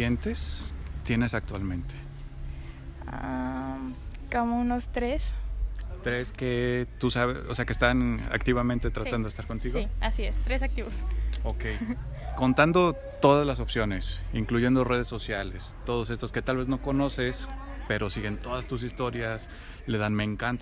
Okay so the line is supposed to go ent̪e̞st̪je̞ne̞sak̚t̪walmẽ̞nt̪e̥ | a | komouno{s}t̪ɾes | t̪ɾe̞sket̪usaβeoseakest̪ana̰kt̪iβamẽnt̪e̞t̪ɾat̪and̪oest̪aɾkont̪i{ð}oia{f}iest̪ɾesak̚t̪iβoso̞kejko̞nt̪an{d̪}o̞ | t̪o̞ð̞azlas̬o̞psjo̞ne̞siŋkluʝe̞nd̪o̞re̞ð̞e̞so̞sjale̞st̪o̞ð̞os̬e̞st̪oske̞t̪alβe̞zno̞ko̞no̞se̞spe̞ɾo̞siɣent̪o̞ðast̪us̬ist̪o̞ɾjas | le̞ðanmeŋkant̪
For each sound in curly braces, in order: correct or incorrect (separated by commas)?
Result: correct, incorrect, incorrect, correct